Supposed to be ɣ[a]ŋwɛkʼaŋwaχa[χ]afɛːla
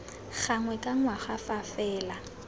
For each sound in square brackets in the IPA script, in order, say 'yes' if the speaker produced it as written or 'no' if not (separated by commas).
yes, no